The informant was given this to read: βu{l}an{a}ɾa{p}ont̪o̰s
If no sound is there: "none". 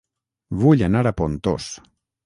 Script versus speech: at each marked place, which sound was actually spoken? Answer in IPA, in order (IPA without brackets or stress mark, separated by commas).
ʎ, a, p